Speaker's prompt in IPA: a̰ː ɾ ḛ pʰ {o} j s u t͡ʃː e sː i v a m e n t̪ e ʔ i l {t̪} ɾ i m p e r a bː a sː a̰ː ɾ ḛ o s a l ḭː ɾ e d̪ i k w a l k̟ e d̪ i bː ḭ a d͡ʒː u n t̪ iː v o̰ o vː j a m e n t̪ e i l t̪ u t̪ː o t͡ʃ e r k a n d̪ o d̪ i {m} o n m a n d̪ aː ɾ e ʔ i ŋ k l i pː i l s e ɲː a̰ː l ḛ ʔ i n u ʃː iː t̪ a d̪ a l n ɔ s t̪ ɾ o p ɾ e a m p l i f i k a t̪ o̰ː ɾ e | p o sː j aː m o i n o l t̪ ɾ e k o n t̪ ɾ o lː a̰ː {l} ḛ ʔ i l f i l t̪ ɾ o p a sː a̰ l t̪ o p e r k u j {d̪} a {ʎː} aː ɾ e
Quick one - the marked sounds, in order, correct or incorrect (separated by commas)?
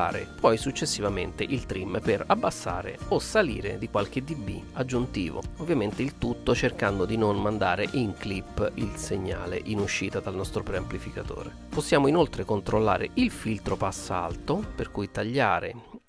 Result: incorrect, correct, incorrect, incorrect, incorrect, correct